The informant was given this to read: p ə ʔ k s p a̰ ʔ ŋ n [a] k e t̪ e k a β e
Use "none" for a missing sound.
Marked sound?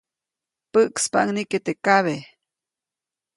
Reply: i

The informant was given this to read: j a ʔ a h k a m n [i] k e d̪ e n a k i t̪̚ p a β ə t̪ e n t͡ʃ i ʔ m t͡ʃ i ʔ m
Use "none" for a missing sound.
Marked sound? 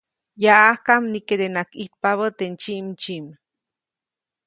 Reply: i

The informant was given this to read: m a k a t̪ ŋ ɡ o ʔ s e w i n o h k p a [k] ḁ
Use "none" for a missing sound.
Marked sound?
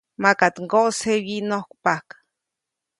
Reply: k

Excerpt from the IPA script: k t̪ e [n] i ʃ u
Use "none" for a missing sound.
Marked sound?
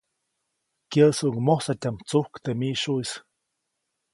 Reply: m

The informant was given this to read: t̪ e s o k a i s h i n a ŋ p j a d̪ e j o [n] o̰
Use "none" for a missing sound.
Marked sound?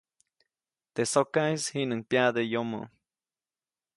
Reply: m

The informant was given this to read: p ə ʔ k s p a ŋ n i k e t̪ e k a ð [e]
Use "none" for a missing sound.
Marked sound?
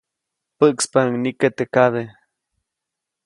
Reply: e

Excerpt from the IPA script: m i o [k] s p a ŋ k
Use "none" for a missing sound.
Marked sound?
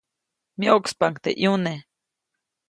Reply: k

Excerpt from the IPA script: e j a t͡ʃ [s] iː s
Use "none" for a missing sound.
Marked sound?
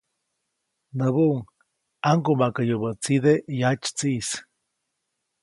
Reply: t͡s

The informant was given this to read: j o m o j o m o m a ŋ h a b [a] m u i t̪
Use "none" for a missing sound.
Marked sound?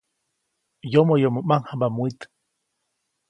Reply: a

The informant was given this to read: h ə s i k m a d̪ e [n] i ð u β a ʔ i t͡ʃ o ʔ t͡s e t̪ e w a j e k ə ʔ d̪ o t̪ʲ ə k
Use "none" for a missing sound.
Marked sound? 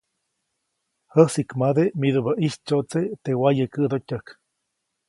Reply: m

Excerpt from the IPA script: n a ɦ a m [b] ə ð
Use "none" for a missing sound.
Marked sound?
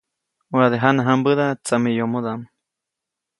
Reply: b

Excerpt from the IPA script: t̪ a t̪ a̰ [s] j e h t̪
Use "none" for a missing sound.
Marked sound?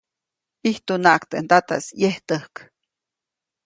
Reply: s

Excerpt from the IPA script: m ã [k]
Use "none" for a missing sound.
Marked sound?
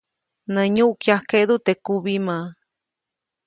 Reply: none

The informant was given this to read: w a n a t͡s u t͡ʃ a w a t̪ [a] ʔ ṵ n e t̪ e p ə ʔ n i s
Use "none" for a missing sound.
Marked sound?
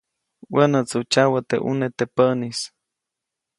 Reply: e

